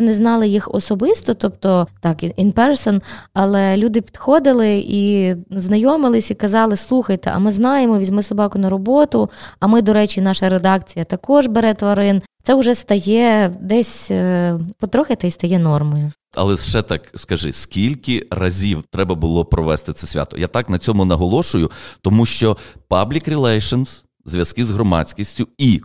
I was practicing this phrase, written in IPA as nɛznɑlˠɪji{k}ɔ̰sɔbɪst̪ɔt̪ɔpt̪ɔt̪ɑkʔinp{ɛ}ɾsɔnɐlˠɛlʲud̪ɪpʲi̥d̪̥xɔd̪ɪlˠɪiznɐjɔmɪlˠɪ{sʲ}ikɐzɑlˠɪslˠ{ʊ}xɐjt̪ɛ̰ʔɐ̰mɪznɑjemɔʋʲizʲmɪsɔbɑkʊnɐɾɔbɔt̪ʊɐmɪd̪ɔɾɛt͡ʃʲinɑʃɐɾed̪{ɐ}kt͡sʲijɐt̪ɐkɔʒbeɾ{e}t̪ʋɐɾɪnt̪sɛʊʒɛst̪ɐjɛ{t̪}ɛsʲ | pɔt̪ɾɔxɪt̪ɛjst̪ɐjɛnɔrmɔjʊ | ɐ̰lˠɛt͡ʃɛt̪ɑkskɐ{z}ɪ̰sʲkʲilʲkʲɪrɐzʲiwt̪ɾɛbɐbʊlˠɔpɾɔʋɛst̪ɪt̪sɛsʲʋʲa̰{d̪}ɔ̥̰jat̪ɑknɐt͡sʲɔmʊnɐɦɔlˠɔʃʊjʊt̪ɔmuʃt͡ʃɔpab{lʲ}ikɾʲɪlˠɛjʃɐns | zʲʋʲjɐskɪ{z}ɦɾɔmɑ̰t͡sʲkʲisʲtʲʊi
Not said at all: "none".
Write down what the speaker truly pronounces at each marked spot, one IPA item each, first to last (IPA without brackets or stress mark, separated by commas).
x, ɛ, sʲ, u, ɑ, ɛ, d̪, ʒ, t̪, lʲ, z